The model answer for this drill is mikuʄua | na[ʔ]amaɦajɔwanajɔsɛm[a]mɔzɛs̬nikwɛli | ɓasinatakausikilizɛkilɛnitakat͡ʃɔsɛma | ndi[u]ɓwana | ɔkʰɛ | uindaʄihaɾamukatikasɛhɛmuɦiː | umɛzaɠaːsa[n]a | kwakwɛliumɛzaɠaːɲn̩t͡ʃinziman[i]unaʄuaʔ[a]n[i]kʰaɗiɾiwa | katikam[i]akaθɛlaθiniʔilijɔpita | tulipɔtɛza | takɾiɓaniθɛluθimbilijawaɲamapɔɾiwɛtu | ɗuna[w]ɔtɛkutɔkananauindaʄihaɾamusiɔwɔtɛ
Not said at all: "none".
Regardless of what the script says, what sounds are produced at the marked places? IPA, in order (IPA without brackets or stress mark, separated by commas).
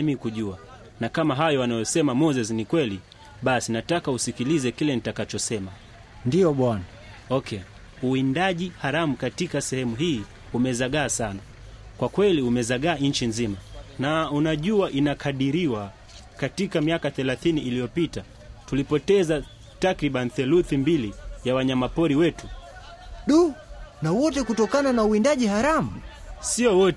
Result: k, a, ɔ, n, a, i, a, i, w